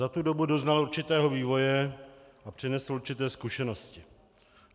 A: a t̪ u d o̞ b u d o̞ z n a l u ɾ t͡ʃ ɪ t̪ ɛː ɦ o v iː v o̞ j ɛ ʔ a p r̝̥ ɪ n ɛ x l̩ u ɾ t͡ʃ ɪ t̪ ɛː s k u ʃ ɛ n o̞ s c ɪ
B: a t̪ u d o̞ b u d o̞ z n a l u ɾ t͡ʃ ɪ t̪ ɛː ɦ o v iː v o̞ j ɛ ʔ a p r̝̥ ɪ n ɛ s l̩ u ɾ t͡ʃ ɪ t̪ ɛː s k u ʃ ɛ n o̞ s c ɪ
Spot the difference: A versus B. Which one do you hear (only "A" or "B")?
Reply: B